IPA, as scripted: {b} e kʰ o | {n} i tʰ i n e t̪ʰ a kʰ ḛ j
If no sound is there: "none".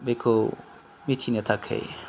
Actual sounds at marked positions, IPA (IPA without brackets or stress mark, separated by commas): b, m